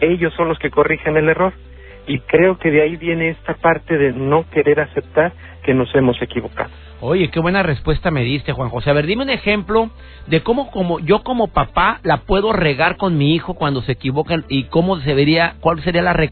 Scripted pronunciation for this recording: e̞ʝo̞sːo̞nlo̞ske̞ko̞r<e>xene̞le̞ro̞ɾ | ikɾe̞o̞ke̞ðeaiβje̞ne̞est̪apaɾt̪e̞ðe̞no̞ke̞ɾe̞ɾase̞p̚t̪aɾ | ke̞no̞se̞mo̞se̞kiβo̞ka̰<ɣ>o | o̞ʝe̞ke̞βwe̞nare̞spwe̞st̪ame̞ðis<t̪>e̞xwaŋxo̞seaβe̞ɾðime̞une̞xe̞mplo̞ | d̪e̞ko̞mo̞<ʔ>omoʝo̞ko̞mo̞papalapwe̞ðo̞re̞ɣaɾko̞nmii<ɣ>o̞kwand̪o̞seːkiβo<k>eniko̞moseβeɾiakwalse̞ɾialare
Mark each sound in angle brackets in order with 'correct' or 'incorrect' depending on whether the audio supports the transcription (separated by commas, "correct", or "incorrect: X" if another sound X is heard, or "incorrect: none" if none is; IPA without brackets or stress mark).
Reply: incorrect: i, incorrect: ð, correct, incorrect: k, incorrect: x, correct